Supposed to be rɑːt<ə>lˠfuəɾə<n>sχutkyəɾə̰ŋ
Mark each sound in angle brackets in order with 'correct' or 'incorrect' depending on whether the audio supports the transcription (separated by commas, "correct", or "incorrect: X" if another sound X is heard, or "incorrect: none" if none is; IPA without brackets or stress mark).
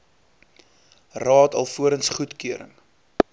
incorrect: ɐ, correct